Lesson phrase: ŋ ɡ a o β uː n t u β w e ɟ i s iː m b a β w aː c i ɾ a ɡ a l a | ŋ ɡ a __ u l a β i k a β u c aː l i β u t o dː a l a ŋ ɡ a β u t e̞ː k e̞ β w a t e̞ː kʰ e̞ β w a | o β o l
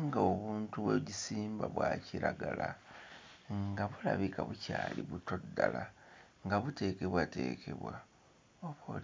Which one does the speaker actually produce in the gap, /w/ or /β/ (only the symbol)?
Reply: β